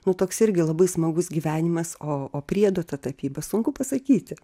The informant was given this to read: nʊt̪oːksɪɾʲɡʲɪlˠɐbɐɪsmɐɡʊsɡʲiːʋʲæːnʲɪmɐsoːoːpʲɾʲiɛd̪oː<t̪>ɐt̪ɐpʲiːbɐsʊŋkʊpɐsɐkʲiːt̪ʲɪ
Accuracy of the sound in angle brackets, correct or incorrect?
correct